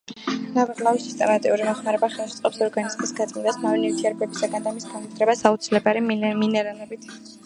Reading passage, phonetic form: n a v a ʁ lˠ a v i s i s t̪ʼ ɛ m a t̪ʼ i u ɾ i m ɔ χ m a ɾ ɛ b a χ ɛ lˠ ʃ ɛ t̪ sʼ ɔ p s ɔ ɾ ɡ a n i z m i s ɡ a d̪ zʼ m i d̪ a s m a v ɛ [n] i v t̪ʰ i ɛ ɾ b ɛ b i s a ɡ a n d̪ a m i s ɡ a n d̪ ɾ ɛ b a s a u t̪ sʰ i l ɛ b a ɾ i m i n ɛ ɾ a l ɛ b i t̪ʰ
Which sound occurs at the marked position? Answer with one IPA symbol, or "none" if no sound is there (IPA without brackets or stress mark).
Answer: n